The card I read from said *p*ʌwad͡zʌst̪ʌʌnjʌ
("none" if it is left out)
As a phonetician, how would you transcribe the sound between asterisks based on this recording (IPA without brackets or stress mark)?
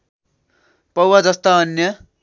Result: p